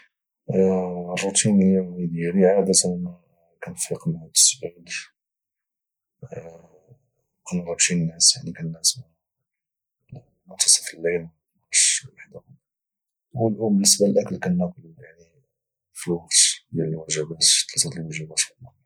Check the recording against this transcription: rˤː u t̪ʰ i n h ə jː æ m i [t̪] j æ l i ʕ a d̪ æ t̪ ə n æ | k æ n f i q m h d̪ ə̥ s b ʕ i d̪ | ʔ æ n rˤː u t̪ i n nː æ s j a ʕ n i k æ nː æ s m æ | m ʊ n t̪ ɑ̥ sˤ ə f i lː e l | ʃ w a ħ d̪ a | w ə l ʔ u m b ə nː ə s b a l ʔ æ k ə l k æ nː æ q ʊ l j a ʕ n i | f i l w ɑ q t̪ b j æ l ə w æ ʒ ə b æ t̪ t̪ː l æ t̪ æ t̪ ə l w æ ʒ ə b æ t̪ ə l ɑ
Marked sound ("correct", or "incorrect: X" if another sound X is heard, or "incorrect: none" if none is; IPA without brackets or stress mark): incorrect: d̪